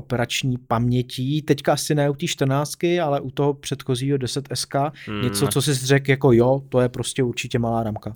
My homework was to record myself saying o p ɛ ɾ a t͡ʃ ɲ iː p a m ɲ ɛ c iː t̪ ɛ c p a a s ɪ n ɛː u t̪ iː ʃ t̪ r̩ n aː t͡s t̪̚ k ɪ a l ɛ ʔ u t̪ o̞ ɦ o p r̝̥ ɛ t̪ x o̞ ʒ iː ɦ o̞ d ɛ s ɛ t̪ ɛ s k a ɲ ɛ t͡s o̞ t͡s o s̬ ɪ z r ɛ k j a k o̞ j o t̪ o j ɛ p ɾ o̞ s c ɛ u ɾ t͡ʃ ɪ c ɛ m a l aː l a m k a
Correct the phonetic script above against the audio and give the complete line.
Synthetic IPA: o p ɛ ɾ a t͡ʃ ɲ iː p a m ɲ ɛ c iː t̪ ɛ c k a a s ɪ n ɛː u t̪ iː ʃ t̪ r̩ n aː t͡s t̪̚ k ɪ a l ɛ ʔ u t̪ o̞ ɦ o p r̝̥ ɛ t̪ x o̞ z iː ɦ o̞ d ɛ s ɛ t̪ ɛ s k a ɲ ɛ t͡s o̞ t͡s o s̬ ɪ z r ɛ k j a k o̞ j o t̪ o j ɛ p ɾ o̞ s c ɛ u ɾ t͡ʃ ɪ c ɛ m a l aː ɾ a m k a